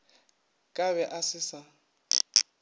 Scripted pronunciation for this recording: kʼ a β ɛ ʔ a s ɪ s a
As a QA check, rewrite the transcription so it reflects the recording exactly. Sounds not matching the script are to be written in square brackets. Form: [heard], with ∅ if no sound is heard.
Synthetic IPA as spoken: kʼ a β ɛ ʔ a s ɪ s a

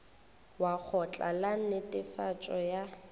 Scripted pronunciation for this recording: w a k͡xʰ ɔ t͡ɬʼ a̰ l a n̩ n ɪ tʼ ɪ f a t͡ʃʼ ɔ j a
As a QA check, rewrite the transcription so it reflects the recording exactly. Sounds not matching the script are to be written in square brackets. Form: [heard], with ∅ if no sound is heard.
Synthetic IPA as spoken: w a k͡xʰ ɔ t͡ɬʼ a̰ l a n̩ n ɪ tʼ ɪ f a t͡ʃʼ ɔ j a

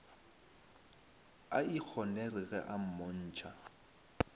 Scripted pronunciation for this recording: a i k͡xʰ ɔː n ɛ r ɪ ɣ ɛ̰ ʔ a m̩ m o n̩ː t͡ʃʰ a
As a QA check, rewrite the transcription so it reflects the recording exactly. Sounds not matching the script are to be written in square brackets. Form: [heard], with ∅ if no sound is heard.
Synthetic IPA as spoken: a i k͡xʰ [ɔ] n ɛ r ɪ ɣ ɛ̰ ʔ a m̩ m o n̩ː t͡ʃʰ a

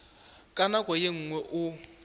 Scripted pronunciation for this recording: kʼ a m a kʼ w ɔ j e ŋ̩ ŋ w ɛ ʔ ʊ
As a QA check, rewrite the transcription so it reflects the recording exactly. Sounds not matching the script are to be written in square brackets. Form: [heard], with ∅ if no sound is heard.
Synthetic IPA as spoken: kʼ a [n] a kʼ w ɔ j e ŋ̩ ŋ w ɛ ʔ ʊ

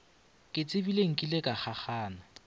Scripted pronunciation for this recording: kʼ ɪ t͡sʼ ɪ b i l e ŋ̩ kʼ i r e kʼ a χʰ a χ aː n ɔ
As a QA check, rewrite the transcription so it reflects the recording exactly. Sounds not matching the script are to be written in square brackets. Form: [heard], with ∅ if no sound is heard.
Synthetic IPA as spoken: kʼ ɪ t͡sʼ ɪ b i l e ŋ̩ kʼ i [l] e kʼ a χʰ a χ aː n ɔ

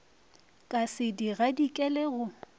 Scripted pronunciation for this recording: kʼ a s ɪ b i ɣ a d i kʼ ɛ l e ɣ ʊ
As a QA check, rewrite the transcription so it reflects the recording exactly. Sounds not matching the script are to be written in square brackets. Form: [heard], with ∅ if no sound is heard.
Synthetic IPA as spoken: kʼ a s ɪ [d] i ɣ a d i kʼ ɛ l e ɣ ʊ

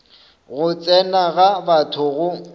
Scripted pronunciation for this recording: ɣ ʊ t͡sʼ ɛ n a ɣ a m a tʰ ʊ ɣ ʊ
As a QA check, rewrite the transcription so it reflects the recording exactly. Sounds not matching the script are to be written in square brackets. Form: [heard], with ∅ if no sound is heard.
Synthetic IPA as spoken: ɣ ʊ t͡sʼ ɛ n a ɣ a [b] a tʰ ʊ ɣ ʊ

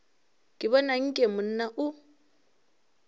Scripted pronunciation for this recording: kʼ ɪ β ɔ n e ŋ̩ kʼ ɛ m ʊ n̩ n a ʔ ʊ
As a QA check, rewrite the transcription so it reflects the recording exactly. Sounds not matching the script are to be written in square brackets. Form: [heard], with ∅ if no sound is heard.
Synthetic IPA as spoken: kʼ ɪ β ɔ n [a] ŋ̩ kʼ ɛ m ʊ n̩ n a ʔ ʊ

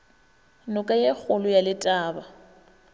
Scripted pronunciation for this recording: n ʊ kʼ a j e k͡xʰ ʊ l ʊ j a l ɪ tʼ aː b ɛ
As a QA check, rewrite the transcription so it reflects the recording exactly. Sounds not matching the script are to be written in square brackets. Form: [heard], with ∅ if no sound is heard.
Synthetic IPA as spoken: n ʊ kʼ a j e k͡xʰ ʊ l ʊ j a l ɪ tʼ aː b [a]

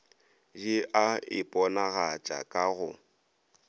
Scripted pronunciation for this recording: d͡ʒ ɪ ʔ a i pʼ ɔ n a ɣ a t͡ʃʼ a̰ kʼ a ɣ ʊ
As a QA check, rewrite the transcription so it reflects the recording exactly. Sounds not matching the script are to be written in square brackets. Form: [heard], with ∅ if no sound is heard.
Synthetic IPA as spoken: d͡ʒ ɪ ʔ a [ɪ] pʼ ɔ n a ɣ a t͡ʃʼ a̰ kʼ a ɣ ʊ

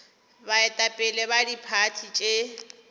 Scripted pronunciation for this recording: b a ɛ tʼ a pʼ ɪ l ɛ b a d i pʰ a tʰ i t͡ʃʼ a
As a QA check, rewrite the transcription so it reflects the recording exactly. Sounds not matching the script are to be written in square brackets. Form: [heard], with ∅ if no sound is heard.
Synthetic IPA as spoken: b a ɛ tʼ a pʼ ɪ l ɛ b a d i pʰ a tʰ i t͡ʃʼ [e]

